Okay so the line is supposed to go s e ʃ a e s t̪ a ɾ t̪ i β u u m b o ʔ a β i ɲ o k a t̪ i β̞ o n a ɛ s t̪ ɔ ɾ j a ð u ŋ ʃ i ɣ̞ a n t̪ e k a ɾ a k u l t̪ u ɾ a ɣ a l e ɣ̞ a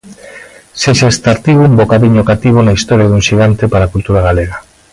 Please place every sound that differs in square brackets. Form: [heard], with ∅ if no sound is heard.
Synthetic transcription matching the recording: s e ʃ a e s t̪ a ɾ t̪ i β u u m b o [k] a β i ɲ o k a t̪ i β̞ o n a [i] s t̪ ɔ ɾ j a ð u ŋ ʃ i ɣ̞ a n t̪ e [p] a ɾ a k u l t̪ u ɾ a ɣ a l e ɣ̞ a